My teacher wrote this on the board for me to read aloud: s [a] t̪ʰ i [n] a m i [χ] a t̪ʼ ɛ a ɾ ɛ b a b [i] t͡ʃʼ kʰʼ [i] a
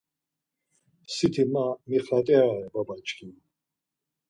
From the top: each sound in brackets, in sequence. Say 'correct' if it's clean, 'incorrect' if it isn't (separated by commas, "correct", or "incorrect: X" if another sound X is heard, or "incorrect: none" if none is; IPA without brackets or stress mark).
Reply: incorrect: i, incorrect: m, correct, incorrect: a, correct